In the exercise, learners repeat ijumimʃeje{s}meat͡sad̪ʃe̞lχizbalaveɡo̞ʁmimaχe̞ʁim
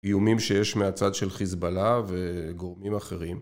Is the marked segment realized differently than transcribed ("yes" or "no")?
yes